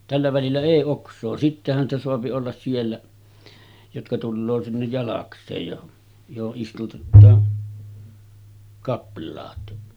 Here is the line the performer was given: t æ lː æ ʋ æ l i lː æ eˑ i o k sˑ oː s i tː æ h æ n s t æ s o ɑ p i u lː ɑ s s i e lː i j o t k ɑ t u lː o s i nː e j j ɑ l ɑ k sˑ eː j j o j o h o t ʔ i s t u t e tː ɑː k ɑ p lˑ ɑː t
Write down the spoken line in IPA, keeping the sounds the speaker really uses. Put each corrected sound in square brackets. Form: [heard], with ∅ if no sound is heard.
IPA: t æ lː æ ʋ æ l i lː æ eˑ i o k sˑ oː s i tː [e] h æ n s t æ s o ɑ p i [o] lː ɑ s s i e lː [æ] j o t k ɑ t u lː [oː] s i nː e j j ɑ l ɑ k sˑ eː j j o j o h o [ʔ] ʔ i s t u t e tː ɑː k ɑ p lˑ ɑː t